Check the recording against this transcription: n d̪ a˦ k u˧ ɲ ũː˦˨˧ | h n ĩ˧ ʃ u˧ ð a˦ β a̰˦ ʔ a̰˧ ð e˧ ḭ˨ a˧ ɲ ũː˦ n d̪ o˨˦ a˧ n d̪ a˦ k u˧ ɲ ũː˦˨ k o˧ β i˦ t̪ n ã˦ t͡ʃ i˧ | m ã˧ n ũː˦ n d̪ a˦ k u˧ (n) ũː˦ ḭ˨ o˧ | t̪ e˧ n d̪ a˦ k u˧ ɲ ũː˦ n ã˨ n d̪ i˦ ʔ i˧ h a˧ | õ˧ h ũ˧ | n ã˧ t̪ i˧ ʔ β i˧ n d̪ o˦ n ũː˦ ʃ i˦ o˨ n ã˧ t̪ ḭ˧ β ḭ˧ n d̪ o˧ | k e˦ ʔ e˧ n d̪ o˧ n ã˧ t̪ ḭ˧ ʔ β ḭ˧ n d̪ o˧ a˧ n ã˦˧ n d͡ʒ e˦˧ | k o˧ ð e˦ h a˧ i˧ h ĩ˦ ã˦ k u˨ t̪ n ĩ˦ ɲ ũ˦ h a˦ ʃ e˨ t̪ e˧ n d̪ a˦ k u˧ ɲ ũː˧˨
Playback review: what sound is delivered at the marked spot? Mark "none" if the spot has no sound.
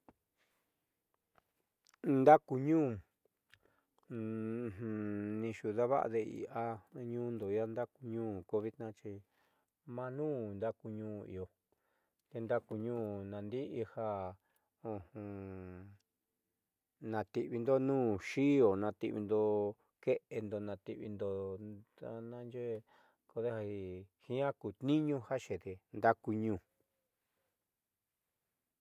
ɲ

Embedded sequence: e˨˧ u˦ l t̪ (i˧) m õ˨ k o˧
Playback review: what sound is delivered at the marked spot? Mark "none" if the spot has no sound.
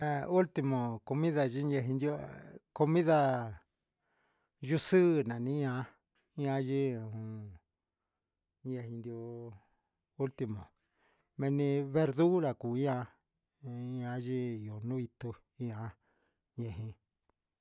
i˧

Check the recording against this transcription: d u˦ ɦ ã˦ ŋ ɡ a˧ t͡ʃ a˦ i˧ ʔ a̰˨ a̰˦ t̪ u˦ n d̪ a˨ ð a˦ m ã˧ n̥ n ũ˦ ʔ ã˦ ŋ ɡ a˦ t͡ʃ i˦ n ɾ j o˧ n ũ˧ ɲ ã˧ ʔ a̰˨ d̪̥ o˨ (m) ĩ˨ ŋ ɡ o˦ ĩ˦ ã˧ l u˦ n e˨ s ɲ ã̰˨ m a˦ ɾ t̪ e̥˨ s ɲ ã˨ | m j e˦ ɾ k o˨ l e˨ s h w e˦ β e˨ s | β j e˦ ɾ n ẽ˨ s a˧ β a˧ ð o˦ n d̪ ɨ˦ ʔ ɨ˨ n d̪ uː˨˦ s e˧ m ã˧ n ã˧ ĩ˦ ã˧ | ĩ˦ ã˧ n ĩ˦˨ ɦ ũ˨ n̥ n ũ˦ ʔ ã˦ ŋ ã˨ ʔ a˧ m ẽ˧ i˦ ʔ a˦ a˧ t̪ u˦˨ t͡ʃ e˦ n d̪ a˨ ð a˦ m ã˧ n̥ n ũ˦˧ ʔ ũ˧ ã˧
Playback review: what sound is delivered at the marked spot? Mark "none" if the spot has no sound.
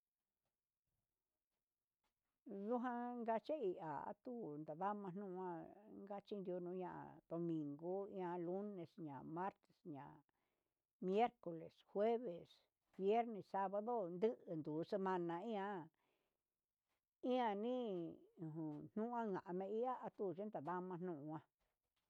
m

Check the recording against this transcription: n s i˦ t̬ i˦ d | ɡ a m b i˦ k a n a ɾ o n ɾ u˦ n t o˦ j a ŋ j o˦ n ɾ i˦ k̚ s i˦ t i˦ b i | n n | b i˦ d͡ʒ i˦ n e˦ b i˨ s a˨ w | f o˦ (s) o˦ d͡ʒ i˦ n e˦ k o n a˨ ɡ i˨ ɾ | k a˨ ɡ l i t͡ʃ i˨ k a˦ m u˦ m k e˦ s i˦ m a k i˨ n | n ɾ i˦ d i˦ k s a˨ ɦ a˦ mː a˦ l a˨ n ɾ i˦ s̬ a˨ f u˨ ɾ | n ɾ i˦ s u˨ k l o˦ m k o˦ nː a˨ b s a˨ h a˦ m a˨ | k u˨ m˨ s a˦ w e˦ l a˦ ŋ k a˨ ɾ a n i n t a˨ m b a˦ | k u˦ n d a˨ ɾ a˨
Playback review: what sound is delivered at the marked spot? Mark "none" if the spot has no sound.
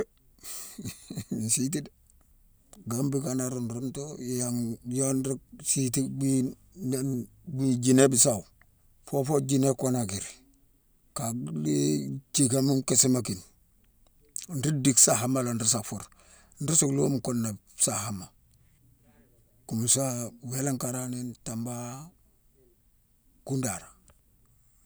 f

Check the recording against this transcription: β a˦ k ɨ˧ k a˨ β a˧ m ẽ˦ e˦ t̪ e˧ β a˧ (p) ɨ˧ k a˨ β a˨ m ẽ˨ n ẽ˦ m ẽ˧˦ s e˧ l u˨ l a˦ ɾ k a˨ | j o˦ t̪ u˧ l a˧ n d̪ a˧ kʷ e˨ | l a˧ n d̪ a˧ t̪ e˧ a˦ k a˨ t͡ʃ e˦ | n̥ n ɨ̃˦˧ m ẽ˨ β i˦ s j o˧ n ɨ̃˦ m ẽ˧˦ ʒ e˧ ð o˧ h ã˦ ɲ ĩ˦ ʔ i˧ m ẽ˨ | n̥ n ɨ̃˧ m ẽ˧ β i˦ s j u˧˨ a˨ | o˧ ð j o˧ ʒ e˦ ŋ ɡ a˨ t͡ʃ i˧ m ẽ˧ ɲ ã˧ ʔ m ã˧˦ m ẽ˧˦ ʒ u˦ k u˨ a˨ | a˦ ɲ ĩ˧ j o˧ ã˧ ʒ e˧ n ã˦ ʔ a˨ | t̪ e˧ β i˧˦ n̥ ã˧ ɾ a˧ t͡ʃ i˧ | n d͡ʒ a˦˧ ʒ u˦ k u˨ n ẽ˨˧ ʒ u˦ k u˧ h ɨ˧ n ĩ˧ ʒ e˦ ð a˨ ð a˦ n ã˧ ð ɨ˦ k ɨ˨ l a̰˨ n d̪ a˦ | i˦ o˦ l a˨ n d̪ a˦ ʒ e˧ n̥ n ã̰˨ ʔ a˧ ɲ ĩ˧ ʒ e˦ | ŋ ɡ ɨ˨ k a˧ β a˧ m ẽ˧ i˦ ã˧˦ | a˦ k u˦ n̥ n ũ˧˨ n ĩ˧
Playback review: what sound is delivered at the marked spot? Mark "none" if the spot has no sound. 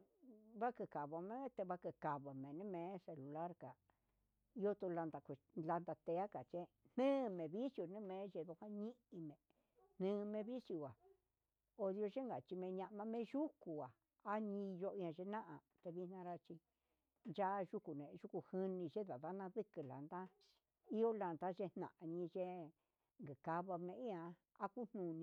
k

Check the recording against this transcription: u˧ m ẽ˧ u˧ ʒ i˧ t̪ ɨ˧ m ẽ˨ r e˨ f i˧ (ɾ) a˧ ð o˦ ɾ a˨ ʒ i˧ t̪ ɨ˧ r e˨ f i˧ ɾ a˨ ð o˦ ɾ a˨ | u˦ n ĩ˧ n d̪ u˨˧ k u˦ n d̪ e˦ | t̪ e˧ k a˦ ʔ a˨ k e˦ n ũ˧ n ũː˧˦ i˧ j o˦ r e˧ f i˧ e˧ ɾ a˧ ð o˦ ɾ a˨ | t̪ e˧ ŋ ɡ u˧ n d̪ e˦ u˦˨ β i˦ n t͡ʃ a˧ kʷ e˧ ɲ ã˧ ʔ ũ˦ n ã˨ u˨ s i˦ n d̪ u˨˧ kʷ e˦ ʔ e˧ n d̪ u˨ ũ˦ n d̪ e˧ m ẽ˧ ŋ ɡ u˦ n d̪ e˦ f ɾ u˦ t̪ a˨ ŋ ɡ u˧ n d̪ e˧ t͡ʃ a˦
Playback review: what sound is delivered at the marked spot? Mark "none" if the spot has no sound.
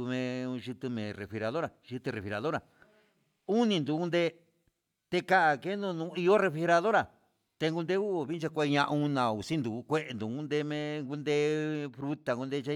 ɾ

